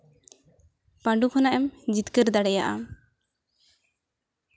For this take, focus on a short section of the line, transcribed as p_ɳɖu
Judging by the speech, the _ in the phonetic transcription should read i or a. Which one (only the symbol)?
a